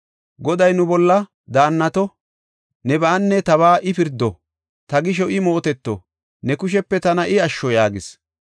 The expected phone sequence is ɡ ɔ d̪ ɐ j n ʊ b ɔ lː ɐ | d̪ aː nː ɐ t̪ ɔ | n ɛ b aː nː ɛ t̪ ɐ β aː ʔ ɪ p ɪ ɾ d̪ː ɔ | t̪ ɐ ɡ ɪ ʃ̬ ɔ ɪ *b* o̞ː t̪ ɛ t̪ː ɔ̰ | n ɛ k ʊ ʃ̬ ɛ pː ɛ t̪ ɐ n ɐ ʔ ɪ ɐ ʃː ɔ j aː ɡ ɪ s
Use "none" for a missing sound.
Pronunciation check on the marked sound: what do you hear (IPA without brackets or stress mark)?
m